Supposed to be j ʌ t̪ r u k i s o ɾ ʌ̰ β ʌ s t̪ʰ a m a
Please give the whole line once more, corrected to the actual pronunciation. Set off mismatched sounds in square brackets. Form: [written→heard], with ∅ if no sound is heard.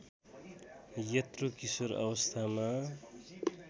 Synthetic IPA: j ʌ t̪ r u k i s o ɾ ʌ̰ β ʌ s t̪ʰ a m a